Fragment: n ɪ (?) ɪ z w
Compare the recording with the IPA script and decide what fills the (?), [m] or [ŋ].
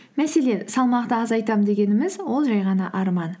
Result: m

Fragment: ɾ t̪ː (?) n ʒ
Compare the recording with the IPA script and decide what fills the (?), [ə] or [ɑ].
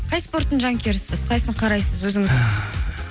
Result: ə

